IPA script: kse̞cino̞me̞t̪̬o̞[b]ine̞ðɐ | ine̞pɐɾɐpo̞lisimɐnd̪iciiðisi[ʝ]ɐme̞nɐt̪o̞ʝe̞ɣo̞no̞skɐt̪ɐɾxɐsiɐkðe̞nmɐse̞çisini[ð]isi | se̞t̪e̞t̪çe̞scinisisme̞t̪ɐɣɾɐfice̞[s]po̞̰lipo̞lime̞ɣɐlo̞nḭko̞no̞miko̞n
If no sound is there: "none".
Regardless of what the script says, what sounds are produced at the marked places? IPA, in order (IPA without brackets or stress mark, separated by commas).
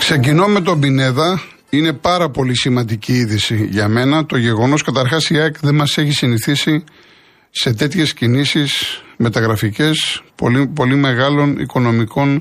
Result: b, ʝ, θ, s